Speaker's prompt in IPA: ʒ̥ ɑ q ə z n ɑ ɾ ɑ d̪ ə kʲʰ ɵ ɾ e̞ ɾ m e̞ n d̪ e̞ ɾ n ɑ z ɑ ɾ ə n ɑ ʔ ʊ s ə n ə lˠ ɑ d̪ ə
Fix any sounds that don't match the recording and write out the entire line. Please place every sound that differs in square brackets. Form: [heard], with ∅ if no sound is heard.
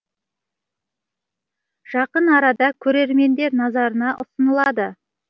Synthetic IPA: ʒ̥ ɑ q ə [∅] n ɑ ɾ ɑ d̪ [ɑ] kʲʰ ɵ ɾ e̞ ɾ m e̞ n d̪ e̞ ɾ n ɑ z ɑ ɾ ə n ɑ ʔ ʊ s ə n ə lˠ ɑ d̪ ə